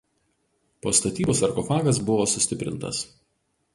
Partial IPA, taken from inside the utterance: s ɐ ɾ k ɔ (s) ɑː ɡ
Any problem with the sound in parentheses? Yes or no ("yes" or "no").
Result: yes